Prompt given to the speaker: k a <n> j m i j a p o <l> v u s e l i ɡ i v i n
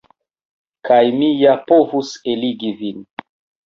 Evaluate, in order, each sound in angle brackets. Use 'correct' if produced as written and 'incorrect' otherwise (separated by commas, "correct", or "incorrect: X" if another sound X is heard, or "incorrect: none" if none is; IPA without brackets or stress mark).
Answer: incorrect: none, incorrect: none